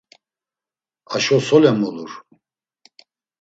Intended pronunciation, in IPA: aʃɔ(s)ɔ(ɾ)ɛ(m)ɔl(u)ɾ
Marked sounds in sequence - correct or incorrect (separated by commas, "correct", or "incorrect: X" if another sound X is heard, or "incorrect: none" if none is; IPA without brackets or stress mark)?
correct, incorrect: l, correct, correct